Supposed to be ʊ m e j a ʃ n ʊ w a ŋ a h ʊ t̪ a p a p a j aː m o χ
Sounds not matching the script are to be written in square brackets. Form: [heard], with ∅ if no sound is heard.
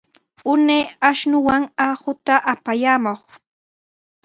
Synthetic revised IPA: ʊ [n] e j a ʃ n ʊ w a ŋ a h ʊ t̪ a [ʔ] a p a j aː m o χ